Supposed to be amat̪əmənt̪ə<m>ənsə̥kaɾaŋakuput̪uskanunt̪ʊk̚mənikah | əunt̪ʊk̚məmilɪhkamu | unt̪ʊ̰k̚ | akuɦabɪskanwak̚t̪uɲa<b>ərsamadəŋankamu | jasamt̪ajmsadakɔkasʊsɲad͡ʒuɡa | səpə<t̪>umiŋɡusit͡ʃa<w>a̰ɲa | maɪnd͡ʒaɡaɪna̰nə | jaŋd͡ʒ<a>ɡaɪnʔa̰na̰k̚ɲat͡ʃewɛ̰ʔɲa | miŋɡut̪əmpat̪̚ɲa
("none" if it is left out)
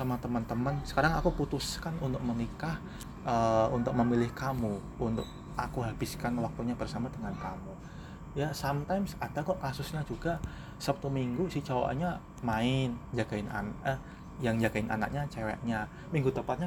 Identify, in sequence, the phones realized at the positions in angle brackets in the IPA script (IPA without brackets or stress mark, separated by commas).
m, b, t̪, w, a